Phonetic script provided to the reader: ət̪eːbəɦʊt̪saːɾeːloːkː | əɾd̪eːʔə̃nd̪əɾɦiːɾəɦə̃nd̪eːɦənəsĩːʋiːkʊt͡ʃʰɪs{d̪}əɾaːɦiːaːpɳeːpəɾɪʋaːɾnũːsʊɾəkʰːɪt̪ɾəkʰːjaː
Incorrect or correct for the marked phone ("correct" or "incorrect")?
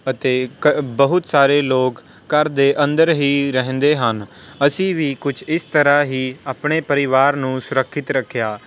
incorrect